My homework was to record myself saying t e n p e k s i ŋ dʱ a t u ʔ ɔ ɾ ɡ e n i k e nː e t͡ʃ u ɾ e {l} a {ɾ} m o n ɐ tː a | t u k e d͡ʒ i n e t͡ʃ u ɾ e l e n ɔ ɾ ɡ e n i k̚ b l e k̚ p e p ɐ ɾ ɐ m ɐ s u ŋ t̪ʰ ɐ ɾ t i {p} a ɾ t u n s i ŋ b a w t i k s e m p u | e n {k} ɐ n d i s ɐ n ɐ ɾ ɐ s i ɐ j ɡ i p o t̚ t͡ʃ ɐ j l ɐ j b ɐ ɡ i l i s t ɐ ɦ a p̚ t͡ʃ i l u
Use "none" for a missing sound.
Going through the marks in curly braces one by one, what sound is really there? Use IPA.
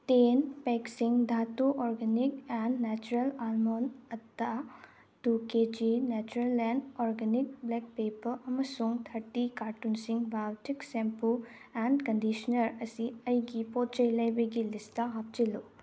l, l, k, k

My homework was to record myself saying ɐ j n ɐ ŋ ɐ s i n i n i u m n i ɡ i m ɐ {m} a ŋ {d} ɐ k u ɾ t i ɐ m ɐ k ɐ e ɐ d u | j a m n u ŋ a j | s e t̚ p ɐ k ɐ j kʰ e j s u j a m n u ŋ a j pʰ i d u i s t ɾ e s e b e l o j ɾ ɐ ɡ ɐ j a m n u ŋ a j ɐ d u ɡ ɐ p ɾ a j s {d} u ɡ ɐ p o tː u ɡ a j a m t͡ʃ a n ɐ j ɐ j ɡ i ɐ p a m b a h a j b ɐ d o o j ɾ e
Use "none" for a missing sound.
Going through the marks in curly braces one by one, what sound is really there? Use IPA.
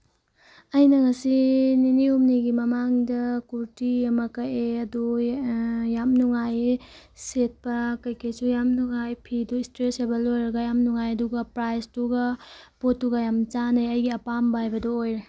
m, d, t

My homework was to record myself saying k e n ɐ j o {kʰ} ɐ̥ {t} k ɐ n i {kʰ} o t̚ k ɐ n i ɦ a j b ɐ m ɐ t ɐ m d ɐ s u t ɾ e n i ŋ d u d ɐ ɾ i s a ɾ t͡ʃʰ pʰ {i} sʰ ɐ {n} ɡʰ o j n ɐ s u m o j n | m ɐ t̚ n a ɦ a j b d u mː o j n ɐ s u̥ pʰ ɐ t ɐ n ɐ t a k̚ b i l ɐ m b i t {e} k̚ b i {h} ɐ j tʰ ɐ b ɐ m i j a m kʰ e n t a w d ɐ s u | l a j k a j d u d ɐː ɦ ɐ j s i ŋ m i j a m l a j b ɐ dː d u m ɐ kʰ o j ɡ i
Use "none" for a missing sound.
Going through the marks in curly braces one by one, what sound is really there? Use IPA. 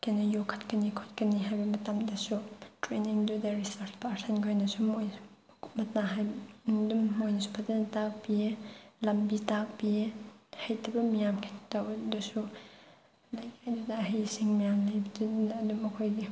kʰ, t, kʰ, a, n, a, h

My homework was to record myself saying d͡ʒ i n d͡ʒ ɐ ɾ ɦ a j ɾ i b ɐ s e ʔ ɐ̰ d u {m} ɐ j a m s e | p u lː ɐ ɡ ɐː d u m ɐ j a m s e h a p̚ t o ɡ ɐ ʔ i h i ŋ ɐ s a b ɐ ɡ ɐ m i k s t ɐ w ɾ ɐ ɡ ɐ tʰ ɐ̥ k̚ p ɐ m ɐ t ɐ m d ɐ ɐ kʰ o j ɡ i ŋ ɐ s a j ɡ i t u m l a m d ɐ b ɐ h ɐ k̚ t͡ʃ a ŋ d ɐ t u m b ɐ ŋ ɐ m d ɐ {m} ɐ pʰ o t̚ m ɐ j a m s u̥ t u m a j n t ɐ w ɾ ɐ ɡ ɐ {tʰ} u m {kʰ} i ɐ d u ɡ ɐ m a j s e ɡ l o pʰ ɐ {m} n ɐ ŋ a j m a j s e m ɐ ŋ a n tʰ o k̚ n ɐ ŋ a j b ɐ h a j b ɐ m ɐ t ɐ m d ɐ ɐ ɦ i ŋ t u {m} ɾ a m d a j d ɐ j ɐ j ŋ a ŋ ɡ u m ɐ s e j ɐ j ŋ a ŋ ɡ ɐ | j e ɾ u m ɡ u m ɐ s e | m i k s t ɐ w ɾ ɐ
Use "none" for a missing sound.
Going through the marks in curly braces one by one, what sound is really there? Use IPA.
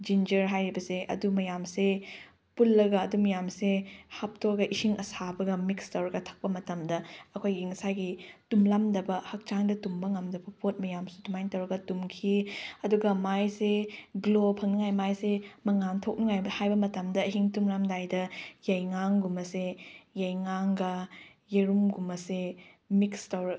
m, b, t, kʰ, ŋ, m

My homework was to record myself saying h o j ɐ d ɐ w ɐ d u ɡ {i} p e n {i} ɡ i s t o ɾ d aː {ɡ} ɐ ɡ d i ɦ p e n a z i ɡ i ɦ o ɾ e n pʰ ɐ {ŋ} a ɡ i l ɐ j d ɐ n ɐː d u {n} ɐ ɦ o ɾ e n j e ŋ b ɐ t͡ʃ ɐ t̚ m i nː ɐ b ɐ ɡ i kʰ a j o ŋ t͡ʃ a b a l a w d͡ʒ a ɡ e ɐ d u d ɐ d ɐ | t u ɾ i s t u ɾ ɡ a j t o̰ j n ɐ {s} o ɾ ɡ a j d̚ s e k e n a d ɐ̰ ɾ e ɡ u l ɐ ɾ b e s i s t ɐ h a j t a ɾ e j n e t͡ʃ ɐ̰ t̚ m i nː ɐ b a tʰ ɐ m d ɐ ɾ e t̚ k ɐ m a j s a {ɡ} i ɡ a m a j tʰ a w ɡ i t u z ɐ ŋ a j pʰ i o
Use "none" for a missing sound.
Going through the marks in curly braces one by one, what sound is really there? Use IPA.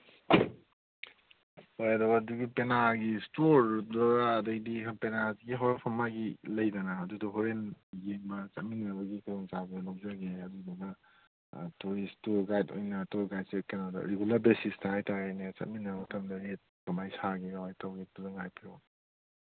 i, a, d, m, d, t, ɡ

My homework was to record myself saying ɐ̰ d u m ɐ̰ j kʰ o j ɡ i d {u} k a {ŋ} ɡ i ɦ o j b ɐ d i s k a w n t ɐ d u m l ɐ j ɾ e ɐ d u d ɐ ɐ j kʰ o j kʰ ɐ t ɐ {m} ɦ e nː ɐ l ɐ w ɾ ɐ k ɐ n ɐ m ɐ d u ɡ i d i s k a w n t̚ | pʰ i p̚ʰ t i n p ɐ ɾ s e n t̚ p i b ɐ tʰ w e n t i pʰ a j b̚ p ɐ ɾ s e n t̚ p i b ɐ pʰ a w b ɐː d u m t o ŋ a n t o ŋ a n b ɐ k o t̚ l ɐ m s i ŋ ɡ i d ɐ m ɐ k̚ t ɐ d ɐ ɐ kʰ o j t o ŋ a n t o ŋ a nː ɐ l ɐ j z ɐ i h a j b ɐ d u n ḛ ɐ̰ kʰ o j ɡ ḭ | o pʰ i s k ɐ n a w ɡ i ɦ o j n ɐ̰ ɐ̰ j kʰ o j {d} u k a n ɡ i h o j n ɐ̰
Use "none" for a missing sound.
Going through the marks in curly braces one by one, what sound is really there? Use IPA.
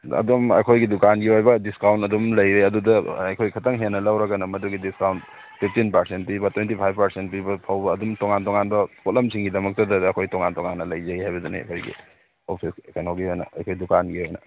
u, n, ŋ, d

